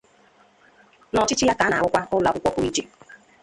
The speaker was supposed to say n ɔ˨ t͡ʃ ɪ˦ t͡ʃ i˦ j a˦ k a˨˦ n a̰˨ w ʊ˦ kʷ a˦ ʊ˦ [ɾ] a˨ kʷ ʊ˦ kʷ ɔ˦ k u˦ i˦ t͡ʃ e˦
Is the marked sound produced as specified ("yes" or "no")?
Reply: no